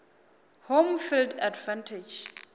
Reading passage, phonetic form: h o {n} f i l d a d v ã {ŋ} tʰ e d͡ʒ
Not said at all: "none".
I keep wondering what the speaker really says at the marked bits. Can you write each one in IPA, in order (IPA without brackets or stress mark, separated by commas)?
m, n